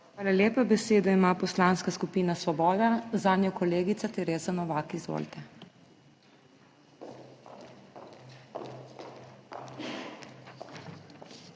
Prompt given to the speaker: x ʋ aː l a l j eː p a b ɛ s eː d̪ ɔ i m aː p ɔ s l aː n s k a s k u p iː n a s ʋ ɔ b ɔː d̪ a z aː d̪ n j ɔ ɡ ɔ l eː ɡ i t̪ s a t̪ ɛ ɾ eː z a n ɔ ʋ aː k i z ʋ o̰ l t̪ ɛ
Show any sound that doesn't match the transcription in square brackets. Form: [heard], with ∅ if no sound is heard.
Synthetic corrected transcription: x ʋ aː l a l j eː p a b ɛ s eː d̪ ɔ i m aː p ɔ s l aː n s k a s k u p iː n a s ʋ ɔ b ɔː d̪ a z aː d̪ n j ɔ [k] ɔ l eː ɡ i t̪ s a t̪ ɛ ɾ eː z a n ɔ ʋ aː k i z ʋ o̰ l t̪ ɛ